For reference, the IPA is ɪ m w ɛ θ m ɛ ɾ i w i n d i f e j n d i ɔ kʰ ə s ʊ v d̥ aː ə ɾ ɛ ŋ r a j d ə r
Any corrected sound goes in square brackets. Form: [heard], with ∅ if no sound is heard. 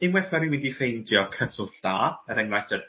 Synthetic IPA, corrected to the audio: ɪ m w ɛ θ m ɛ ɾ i w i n d i f e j n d [j] ɔ kʰ ə s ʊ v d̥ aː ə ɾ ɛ ŋ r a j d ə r